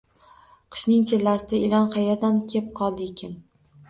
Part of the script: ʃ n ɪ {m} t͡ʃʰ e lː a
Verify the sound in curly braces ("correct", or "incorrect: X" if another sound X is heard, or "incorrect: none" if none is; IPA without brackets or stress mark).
incorrect: ŋ